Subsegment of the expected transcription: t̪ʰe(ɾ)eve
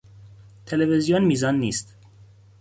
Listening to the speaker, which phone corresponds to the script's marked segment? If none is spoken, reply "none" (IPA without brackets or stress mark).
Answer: l